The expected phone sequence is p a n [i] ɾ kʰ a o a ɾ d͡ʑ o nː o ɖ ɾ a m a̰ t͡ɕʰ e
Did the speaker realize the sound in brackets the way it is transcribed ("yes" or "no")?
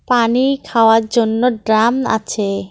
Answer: yes